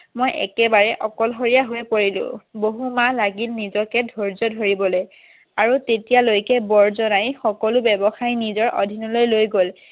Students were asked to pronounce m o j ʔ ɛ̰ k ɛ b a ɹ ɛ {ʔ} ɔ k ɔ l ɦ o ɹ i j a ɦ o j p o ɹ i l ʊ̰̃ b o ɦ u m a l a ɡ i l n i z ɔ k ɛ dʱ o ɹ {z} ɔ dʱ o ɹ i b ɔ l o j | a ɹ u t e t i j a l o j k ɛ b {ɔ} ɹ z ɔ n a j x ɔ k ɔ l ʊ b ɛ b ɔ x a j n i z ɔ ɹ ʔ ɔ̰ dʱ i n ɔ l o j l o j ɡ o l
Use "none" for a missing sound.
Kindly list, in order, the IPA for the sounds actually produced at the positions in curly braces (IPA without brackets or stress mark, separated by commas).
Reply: ʔ, z, ɔ